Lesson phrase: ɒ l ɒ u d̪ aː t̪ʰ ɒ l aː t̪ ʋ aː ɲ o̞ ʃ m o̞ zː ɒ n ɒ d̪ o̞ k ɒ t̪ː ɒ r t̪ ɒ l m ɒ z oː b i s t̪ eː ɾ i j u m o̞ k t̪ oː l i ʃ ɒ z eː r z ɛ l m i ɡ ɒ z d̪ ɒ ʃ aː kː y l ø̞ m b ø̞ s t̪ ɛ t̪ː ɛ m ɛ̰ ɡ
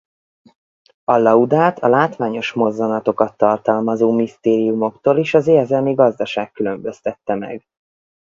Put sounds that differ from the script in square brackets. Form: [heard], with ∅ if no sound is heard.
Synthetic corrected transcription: ɒ l ɒ u d̪ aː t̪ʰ ɒ l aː t̪ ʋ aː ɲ o̞ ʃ m o̞ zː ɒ n ɒ [t̪] o̞ k ɒ t̪ː ɒ r t̪ ɒ l m ɒ z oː [m] i s t̪ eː ɾ i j u m o̞ k t̪ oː l i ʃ ɒ z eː r z ɛ l m i ɡ ɒ z d̪ ɒ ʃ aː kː y l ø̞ m b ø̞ s t̪ ɛ t̪ː ɛ m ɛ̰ ɡ